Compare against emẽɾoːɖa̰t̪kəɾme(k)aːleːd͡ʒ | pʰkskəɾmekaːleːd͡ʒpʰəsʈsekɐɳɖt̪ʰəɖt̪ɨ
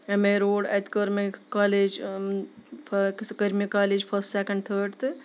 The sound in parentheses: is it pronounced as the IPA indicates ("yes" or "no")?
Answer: yes